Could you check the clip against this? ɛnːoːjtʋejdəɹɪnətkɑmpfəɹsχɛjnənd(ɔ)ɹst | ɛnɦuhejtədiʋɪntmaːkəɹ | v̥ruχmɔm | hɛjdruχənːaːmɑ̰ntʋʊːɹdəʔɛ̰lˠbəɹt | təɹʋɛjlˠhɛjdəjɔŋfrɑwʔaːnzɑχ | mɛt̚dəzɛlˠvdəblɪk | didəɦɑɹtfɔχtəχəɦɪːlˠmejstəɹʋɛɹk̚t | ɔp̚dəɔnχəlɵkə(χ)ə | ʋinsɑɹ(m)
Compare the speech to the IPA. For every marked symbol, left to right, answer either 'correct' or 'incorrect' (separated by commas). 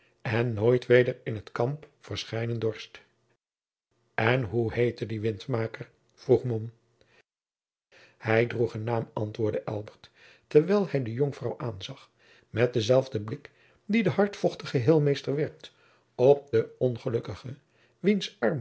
correct, correct, correct